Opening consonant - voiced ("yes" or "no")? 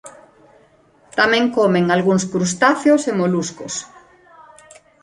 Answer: no